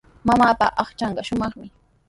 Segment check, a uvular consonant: present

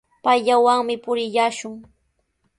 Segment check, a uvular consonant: absent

